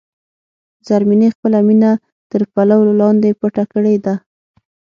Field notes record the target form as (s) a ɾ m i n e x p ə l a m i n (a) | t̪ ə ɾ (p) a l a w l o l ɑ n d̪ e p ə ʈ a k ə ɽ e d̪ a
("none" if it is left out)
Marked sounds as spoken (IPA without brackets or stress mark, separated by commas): z, a, p